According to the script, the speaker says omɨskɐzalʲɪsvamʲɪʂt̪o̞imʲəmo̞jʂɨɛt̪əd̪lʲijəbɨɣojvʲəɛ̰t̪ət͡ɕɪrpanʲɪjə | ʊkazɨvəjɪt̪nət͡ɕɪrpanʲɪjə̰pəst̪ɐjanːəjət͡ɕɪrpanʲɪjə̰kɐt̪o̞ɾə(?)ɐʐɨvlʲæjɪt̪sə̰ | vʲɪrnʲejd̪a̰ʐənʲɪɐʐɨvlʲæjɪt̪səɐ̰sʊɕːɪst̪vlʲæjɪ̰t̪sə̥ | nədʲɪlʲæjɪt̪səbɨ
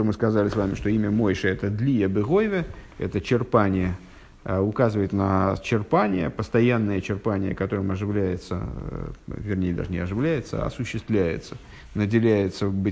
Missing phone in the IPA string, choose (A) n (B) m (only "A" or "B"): B